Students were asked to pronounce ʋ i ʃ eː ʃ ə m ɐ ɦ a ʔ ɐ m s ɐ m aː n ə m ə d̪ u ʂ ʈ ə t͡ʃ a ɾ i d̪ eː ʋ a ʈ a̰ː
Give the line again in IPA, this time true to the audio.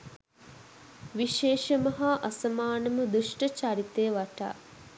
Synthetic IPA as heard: ʋ i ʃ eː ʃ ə m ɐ ɦ a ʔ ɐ s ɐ m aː n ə m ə d̪ u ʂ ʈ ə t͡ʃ a ɾ i t̪ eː ʋ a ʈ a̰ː